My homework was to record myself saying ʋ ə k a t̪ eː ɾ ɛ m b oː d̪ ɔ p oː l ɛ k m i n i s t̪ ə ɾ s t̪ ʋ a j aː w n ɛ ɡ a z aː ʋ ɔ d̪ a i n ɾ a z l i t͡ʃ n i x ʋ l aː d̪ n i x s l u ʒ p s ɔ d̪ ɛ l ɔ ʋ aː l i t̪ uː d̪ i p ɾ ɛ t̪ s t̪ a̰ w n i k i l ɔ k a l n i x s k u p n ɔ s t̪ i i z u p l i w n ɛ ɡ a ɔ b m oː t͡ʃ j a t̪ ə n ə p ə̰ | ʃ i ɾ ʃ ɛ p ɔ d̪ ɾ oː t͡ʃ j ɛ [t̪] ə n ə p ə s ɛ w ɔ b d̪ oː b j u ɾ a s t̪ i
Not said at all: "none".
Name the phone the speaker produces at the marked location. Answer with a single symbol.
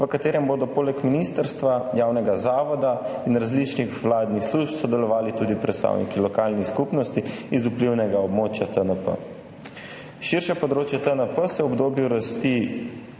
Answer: t̪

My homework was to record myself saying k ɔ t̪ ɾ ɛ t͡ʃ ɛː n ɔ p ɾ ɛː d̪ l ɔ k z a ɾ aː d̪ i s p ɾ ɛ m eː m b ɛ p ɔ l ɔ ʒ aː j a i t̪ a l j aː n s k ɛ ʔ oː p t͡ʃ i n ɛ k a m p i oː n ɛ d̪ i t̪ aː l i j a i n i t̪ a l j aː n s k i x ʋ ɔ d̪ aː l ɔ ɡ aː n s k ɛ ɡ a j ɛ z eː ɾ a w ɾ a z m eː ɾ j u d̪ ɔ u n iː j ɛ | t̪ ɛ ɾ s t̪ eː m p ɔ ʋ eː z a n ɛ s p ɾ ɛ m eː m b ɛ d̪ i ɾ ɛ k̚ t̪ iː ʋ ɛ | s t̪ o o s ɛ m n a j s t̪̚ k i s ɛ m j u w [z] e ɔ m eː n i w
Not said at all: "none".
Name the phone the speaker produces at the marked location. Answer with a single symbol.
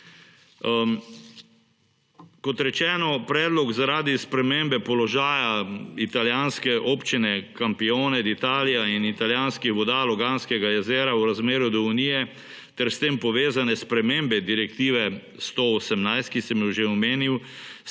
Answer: ʒ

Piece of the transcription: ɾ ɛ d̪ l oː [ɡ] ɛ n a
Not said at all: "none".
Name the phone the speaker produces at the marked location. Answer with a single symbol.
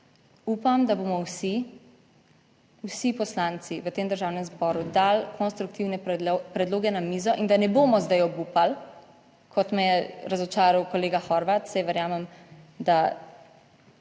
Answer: ɡ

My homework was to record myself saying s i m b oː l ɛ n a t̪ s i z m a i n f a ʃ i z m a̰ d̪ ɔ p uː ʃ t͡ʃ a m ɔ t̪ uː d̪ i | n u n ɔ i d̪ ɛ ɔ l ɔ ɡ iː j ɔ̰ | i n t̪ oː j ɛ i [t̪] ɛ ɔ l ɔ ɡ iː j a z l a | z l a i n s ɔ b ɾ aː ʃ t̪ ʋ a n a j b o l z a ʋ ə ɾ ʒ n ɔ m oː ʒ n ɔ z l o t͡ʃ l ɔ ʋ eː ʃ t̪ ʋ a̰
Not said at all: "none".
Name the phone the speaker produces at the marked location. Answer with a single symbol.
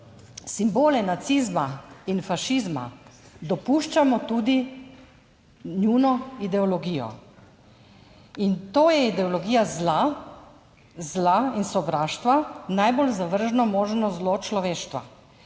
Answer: d̪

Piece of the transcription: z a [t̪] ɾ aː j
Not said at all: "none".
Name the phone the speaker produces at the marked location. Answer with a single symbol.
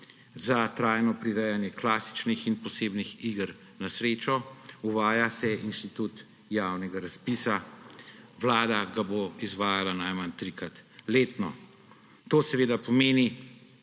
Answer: t̪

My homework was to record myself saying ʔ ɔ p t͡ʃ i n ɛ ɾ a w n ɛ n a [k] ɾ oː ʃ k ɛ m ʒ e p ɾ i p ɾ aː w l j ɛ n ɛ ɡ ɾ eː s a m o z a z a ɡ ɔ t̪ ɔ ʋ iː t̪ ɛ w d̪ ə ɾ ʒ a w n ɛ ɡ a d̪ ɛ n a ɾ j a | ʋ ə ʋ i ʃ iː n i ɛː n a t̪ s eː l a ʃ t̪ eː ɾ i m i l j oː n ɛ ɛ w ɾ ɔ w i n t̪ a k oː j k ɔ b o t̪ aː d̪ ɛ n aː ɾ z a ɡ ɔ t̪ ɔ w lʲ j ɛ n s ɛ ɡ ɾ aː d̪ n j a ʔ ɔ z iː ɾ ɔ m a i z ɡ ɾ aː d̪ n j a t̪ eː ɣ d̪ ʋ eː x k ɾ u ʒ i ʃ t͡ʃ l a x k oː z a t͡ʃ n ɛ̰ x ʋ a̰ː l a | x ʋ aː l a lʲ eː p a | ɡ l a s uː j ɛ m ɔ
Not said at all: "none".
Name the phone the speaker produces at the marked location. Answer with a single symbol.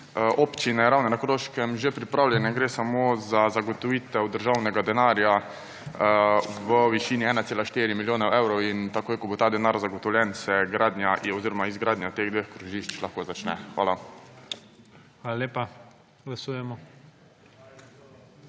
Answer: k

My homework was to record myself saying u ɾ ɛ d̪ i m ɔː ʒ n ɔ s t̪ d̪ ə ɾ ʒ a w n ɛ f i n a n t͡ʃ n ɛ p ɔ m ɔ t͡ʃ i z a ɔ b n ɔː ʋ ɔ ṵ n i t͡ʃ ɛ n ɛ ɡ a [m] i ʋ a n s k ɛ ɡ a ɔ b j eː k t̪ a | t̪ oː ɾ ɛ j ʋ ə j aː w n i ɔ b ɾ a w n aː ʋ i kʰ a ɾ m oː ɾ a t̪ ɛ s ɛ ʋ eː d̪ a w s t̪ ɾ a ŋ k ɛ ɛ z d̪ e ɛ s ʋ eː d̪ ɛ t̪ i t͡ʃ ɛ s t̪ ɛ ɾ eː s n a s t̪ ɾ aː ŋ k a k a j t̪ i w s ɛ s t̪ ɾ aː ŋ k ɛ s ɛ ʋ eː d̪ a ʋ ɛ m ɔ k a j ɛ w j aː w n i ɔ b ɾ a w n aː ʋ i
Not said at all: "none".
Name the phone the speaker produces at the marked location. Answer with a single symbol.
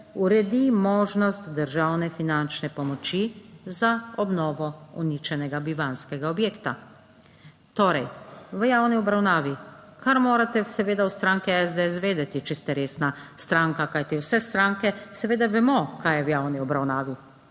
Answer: b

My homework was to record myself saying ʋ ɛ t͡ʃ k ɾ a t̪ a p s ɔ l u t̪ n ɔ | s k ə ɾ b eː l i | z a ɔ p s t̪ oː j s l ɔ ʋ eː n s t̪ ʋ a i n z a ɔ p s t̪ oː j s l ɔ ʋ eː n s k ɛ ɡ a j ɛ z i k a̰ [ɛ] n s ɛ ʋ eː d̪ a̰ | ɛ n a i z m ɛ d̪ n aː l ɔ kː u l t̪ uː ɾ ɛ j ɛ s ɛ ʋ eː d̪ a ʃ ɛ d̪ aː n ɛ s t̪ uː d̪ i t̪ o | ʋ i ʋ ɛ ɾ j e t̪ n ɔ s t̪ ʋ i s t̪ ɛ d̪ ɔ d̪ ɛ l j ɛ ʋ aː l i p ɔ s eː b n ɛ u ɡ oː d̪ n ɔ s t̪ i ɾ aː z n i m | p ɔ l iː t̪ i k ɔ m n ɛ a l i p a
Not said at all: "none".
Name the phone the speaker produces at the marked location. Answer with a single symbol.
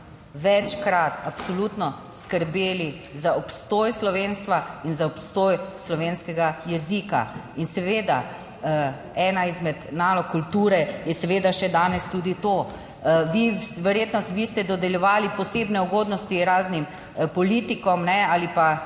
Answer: i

